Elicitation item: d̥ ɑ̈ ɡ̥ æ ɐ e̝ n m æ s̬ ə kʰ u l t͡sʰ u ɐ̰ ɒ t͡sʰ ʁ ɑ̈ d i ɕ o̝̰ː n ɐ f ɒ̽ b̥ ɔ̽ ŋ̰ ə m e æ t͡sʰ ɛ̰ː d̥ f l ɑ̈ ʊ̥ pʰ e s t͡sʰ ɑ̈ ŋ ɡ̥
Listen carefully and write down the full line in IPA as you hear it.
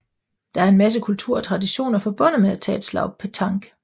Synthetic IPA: d̥ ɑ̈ æ ɐ e̝ n m æ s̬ ə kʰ u l t͡sʰ u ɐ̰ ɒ t͡sʰ ʁ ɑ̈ d i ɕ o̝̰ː n ɐ f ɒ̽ b̥ ɔ̽ n̰ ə m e æ t͡sʰ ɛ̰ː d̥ s l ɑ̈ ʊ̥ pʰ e t͡sʰ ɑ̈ ŋ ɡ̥